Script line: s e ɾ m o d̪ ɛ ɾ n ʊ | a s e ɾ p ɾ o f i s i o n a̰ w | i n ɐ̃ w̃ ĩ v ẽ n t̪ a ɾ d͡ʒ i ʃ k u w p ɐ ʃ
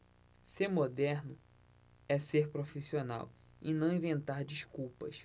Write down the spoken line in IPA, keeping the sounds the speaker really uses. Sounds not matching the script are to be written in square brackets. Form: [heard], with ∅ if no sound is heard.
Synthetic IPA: s e ɾ m o d̪ ɛ ɾ n ʊ | [ɛ] s e ɾ p ɾ o f i s i o n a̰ w | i n ɐ̃ w̃ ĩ v ẽ n t̪ a ɾ d͡ʒ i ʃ k u w p ɐ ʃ